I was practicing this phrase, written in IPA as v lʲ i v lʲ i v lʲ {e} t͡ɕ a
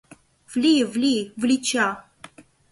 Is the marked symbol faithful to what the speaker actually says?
no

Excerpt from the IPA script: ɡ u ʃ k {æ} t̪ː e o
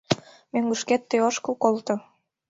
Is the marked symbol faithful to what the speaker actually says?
no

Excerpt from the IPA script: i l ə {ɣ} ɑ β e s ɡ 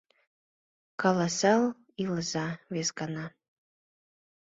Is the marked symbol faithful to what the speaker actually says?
no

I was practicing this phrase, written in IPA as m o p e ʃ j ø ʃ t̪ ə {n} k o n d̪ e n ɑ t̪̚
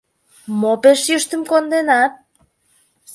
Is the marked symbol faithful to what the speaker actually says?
no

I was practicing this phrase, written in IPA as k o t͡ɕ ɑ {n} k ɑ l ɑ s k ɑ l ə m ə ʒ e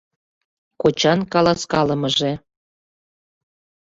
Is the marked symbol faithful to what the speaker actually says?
yes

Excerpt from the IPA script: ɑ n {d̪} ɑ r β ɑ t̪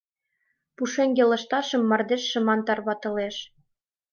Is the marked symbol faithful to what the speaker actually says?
no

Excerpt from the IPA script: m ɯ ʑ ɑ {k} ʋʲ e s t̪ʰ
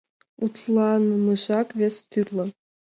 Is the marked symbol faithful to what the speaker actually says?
yes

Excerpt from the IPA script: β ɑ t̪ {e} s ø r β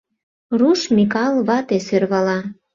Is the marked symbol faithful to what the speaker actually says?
yes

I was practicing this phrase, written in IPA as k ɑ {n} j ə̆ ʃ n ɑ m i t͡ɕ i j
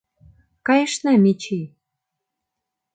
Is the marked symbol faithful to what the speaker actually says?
no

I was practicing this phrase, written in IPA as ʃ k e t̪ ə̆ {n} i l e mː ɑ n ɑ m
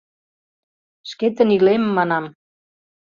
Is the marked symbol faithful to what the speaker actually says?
yes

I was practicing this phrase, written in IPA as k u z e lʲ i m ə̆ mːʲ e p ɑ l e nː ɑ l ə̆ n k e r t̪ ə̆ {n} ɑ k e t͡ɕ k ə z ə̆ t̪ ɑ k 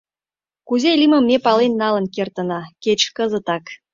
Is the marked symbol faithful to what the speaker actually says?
yes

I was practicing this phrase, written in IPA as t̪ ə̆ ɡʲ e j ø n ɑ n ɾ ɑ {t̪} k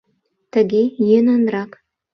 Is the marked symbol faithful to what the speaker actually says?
no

